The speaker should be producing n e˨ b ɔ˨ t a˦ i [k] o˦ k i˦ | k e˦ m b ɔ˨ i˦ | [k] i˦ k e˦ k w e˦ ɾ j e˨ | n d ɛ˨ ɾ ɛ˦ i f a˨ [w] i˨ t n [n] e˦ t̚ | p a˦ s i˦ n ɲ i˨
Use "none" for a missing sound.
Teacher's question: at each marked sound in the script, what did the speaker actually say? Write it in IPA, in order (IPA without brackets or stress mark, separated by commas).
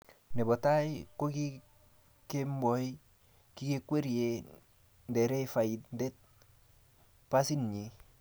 k, k, none, d